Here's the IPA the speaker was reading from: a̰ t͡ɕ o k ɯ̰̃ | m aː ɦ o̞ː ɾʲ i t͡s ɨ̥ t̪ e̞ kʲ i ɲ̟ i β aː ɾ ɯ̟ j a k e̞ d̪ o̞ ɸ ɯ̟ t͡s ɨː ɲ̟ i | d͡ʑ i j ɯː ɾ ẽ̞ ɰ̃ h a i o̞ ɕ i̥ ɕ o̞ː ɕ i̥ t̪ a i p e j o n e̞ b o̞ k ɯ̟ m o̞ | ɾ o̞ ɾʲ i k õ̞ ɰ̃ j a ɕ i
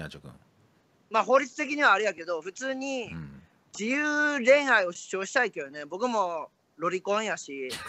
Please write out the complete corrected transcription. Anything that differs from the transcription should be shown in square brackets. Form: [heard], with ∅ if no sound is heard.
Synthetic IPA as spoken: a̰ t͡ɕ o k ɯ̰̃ | m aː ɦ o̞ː ɾʲ i t͡s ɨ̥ t̪ e̞ kʲ i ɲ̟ i β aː ɾ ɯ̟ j a k e̞ d̪ o̞ ɸ ɯ̟ t͡s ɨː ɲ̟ i | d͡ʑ i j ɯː ɾ ẽ̞ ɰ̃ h a i o̞ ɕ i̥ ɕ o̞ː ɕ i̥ t̪ a i [k] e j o n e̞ b o̞ k ɯ̟ m o̞ | ɾ o̞ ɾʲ i k õ̞ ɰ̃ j a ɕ i